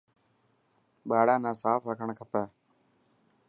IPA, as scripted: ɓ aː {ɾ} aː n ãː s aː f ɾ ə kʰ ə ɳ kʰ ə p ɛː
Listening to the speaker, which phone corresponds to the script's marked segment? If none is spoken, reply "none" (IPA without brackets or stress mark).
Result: ɽ